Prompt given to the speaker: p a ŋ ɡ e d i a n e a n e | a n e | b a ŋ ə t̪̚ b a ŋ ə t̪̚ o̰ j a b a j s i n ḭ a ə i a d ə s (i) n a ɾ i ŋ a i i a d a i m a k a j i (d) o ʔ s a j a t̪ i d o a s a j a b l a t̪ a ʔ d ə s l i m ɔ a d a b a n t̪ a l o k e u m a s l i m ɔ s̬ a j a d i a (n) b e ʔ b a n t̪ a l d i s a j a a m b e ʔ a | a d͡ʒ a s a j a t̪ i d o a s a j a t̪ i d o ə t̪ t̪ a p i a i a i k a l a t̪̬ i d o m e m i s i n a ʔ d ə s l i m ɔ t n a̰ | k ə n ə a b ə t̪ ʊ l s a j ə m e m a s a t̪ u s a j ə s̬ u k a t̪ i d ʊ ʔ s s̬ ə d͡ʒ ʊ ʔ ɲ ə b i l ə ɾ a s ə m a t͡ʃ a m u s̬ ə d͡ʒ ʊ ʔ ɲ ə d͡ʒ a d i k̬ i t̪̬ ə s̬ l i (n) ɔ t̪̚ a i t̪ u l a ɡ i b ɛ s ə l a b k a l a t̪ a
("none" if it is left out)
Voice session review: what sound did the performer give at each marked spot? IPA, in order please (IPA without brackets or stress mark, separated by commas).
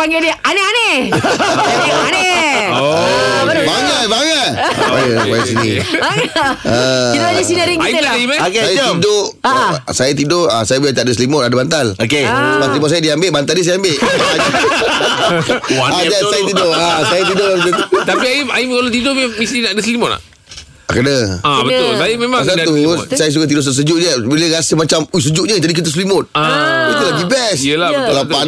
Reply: i, d, m, m